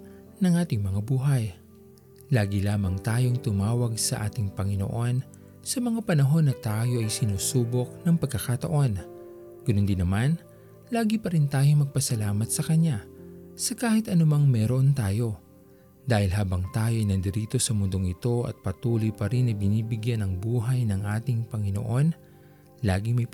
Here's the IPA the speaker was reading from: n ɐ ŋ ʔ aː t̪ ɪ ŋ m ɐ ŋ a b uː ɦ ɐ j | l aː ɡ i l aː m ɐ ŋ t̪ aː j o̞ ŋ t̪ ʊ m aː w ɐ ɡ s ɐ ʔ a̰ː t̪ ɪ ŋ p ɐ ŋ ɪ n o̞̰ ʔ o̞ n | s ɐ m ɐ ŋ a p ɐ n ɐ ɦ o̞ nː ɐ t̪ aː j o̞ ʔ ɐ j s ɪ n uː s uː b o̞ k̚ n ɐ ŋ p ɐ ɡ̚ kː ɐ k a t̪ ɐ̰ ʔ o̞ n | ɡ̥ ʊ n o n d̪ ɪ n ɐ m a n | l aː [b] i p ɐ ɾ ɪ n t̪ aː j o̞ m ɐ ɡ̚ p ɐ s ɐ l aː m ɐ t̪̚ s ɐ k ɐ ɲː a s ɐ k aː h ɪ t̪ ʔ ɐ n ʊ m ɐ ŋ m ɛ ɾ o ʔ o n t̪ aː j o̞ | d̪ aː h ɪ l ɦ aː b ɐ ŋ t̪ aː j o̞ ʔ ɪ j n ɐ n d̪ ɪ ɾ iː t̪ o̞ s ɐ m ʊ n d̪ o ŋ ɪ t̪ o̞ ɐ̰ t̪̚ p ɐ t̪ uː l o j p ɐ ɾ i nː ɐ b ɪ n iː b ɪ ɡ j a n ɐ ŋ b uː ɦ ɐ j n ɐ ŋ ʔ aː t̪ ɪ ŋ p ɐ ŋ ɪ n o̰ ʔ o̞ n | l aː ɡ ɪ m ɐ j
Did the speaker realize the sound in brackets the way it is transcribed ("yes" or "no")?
no